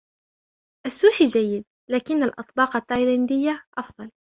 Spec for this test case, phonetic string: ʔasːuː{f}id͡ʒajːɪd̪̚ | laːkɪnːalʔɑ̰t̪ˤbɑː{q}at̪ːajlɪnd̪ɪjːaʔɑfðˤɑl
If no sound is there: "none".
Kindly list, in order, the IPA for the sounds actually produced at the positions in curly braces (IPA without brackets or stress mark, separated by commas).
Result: ʃ, q